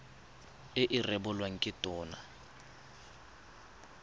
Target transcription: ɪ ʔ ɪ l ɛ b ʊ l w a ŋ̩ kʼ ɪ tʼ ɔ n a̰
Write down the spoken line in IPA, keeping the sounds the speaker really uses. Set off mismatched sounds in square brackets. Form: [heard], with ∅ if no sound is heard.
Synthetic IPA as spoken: ɪ ʔ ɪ [r] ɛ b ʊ l w a ŋ̩ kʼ ɪ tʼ [ɔː] n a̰